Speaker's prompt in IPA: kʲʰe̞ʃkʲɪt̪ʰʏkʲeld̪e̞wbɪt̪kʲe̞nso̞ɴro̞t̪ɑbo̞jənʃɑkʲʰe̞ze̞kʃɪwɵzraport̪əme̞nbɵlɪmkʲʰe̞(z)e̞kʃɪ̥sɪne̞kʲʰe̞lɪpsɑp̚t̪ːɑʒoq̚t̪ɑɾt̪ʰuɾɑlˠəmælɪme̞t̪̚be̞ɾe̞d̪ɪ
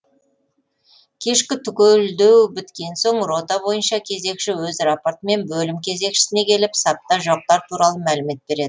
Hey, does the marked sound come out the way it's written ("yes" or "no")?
yes